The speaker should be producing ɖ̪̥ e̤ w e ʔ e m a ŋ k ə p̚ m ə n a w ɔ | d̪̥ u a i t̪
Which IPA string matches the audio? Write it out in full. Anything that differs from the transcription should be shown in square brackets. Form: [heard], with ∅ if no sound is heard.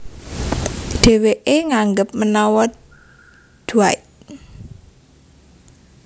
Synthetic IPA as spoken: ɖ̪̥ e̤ w e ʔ e [ŋ] a ŋ [ɡ] ə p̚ m ə n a w ɔ | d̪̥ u a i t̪